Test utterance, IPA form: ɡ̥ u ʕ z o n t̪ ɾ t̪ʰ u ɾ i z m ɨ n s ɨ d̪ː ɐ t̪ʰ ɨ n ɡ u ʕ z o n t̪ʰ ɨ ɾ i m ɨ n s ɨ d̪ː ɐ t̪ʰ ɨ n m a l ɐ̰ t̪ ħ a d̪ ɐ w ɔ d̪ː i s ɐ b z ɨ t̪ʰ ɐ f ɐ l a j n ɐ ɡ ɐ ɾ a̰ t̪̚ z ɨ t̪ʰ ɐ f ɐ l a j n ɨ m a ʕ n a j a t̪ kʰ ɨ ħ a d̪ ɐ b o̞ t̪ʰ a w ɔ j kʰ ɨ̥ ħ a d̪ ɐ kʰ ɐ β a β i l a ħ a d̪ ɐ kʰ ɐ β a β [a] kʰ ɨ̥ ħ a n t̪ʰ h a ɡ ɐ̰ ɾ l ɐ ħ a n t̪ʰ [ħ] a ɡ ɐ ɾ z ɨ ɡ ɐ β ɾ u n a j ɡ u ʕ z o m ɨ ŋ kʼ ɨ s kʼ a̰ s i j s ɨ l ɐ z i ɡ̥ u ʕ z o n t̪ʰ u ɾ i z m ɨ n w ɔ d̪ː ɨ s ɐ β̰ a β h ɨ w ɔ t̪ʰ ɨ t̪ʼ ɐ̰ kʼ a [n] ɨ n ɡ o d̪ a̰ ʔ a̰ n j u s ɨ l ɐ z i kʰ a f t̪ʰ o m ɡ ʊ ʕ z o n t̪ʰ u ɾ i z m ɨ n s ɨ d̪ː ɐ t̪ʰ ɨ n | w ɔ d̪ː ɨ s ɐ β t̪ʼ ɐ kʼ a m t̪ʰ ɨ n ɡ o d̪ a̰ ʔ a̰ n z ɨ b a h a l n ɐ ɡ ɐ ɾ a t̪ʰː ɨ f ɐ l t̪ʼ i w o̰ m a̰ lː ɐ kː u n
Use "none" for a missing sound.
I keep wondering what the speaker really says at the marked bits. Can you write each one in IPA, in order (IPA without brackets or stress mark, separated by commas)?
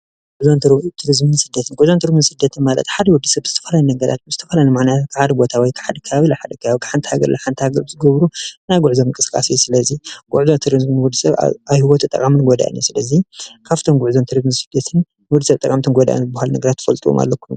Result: i, h, m